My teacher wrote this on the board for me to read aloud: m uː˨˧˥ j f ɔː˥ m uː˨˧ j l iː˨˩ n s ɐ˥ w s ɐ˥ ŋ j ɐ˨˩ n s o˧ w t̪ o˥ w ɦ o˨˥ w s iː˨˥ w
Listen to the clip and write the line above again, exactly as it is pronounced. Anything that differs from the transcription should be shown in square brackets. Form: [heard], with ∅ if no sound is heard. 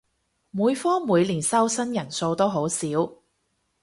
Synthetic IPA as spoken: m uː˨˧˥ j f ɔː˥ m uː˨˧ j l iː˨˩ n s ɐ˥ w s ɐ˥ [n] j ɐ˨˩ n s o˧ w t̪ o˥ w ɦ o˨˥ w s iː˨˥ w